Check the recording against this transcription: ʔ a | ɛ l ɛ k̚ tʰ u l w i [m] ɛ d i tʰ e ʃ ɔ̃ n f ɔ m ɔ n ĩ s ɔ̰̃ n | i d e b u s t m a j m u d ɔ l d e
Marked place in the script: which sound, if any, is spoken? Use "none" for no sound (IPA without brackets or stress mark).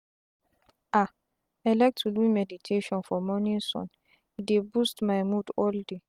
m